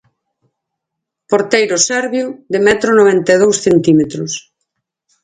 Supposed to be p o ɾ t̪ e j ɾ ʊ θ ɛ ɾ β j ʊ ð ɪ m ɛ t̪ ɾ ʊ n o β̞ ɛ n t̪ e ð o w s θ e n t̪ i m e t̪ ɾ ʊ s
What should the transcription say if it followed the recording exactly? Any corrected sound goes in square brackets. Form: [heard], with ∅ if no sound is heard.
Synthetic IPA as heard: p o ɾ t̪ e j ɾ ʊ [s] ɛ ɾ β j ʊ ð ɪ m ɛ t̪ ɾ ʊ n o β̞ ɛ n t̪ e ð o w s θ e n t̪ i m e t̪ ɾ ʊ s